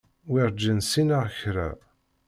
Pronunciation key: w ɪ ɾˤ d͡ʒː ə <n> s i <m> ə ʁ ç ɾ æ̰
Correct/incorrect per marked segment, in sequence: correct, incorrect

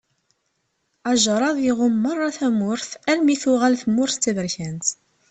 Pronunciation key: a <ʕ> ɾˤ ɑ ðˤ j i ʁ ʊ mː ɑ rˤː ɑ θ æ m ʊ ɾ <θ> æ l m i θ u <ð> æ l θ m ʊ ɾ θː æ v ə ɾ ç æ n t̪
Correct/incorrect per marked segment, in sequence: incorrect, correct, incorrect

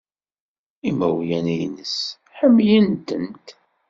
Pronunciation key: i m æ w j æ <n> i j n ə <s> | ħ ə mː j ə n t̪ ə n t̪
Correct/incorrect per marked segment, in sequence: correct, correct

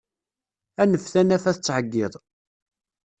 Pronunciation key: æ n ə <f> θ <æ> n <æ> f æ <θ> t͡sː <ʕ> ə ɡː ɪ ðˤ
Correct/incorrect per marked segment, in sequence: correct, correct, correct, correct, correct

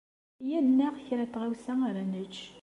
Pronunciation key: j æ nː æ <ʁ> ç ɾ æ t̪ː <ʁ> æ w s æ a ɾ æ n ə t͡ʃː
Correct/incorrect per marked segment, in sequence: correct, correct

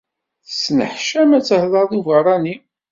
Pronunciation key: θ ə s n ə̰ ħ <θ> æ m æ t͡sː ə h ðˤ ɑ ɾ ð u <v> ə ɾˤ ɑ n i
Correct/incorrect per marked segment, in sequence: incorrect, correct

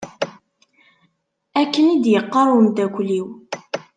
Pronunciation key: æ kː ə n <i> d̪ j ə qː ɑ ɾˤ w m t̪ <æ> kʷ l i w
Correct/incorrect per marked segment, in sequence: correct, correct

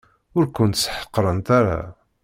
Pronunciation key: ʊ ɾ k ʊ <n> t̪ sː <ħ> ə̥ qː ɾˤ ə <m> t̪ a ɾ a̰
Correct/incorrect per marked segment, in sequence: correct, correct, incorrect

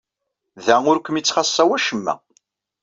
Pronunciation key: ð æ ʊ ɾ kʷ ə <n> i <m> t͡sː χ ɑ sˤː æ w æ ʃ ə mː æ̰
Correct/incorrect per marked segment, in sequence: incorrect, incorrect

